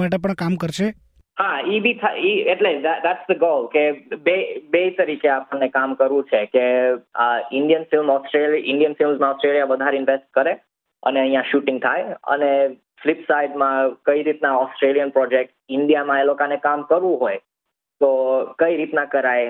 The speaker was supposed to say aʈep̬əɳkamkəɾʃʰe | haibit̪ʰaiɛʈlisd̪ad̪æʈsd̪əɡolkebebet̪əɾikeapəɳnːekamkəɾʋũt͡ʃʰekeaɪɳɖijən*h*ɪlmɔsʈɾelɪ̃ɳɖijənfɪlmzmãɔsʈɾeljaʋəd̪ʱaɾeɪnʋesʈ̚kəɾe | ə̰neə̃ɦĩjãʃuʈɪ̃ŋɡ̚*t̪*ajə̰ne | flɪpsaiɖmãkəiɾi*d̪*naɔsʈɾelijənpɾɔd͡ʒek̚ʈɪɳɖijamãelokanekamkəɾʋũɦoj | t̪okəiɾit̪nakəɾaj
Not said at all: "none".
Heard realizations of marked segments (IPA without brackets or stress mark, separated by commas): f, t̪ʰ, t̪